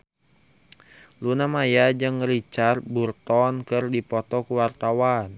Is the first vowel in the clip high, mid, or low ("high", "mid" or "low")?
high